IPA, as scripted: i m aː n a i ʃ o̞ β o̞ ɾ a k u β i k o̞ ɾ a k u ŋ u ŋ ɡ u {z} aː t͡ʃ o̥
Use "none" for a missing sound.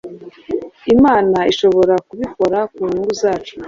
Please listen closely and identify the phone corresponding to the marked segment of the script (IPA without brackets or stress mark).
z